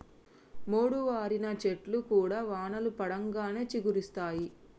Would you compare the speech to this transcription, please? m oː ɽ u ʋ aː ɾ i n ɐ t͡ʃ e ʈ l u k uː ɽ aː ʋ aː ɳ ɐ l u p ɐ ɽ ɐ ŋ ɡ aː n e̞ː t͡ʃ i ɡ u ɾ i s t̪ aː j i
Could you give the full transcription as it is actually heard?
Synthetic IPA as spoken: m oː ɽ u ʋ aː ɾ i n ɐ t͡ʃ e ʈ l u k uː ɽ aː ʋ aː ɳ ɐ l u p ɐ ɽ ɐ ŋ ɡ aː n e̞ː t͡ʃ i ɡ u ɾ i s t̪ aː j i